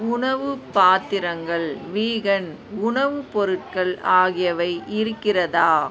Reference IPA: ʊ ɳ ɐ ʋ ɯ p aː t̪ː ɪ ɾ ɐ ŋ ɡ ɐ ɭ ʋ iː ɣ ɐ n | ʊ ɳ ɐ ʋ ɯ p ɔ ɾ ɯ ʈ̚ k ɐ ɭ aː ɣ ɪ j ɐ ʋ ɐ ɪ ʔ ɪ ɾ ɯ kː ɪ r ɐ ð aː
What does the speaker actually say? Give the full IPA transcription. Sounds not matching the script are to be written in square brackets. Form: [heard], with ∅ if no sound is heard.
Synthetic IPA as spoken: ʊ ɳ ɐ ʋ ɯ p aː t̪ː ɪ ɾ ɐ ŋ ɡ ɐ ɭ ʋ iː ɣ ɐ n | ʊ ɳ ɐ ʋ ɯ p ɔ ɾ ɯ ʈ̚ k ɐ ɭ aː ɣ ɪ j ɐ ʋ ɐ ɪ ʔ ɪ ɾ ɯ kː ɪ r ɐ ð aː

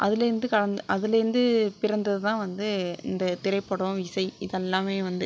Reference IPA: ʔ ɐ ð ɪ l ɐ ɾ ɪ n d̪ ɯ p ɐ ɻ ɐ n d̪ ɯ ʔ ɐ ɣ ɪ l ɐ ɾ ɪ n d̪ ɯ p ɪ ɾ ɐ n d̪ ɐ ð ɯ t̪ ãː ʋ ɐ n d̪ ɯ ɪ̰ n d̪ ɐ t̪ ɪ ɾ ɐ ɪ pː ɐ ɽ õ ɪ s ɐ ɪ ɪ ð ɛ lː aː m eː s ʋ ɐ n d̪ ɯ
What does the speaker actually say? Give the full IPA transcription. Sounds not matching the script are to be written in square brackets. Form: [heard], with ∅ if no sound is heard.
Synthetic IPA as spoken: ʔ ɐ ð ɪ l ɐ ɾ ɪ n d̪ ɯ [k] ɐ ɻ ɐ n d̪ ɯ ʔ ɐ [ð] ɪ l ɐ ɾ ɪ n d̪ ɯ p ɪ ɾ ɐ n d̪ ɐ ð ɯ t̪ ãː ʋ ɐ n d̪ ɯ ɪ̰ n d̪ ɐ t̪ ɪ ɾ ɐ ɪ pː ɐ ɽ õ ɪ s ɐ ɪ ɪ ð ɛ lː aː m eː [∅] ʋ ɐ n d̪ ɯ

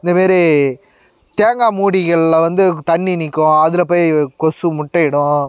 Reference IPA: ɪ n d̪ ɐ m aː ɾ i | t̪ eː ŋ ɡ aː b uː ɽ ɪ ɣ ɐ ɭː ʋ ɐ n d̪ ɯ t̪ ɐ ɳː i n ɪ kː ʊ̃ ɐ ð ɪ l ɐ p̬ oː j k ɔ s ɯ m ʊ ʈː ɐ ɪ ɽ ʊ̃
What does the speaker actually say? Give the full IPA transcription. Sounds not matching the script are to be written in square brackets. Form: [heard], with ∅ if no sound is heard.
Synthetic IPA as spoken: ɪ n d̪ ɐ m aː ɾ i | t̪ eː ŋ ɡ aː [m] uː ɽ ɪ ɣ ɐ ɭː ʋ ɐ n d̪ ɯ t̪ ɐ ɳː i n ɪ kː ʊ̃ ɐ ð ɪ l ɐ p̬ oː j k ɔ s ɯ m ʊ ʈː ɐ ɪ ɽ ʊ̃

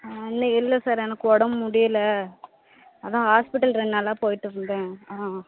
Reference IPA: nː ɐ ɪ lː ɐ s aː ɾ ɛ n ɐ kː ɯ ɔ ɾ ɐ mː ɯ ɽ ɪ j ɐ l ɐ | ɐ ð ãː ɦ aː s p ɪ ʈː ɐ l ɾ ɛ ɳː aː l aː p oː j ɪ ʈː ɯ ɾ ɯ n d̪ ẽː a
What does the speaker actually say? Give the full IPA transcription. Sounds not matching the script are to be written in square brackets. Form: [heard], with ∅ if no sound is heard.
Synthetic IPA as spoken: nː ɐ ɪ lː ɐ s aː ɾ ɛ n ɐ kː ɯ ɔ [ɽ] ɐ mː [ʊ] ɽ ɪ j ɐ l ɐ | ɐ ð ãː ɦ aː s p ɪ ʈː ɐ l ɾ ɛ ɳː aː l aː p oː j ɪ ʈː ɯ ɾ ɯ n d̪ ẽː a

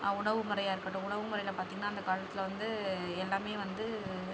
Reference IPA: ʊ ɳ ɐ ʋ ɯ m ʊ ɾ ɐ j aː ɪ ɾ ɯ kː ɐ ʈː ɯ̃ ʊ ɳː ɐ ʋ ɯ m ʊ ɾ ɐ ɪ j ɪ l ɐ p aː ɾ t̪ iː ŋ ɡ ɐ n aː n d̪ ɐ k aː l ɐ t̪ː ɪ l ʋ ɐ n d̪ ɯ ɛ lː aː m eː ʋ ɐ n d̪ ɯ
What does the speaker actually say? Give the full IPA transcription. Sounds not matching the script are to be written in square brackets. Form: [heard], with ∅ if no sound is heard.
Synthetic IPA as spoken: ʊ ɳ ɐ ʋ ɯ m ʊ ɾ ɐ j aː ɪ ɾ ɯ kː ɐ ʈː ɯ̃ ʊ [ɳ] ɐ ʋ ɯ m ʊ ɾ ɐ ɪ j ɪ l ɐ p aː ɾ t̪ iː ŋ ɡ ɐ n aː n d̪ ɐ k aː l ɐ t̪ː ɪ l ʋ ɐ n d̪ ɯ ɛ lː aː m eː ʋ ɐ n d̪ ɯ

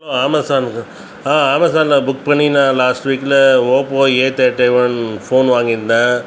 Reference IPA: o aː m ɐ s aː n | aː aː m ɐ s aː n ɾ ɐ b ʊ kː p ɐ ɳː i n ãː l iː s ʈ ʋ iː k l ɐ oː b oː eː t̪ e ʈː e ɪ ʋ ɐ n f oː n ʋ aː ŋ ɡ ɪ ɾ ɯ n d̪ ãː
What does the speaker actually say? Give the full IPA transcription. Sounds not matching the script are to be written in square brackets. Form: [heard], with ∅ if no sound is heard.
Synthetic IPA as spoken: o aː m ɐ s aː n | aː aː m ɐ s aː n [l] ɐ b ʊ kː p ɐ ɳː i n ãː l [aː] s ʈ ʋ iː k l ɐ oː [p] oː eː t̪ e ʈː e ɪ ʋ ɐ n f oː n ʋ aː ŋ ɡ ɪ ɾ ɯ n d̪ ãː

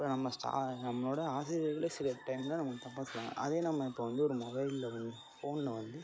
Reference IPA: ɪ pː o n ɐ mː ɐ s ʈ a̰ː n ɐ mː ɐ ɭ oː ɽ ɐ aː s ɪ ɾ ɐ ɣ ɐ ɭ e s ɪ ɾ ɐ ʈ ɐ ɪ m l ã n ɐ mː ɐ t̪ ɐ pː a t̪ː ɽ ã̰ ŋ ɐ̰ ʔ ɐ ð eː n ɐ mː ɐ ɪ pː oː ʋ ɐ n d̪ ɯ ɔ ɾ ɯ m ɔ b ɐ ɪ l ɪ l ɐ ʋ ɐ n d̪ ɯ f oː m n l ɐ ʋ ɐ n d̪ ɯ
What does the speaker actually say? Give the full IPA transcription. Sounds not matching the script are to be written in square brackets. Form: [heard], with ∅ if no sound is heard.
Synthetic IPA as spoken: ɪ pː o n ɐ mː ɐ s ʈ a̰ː n ɐ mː ɐ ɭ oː ɽ ɐ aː s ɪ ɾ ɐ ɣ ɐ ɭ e s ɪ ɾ ɐ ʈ ɐ ɪ m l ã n ɐ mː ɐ t̪ ɐ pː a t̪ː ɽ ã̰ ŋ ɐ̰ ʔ ɐ ð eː n ɐ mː ɐ ɪ pː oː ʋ ɐ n d̪ ɯ ɔ ɾ ɯ m ɔ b ɐ ɪ l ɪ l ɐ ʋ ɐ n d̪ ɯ f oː [∅] n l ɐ ʋ ɐ n d̪ ɯ

